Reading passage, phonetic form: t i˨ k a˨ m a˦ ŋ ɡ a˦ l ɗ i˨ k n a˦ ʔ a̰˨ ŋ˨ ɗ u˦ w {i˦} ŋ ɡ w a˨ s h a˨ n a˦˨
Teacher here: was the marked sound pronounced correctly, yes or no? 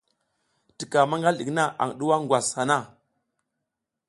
no